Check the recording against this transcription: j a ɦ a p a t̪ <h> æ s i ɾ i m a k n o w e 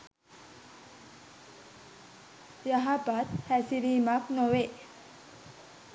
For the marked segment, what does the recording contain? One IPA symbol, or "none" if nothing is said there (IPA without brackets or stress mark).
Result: h